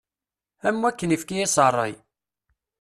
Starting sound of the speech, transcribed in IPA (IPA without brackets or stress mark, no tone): æ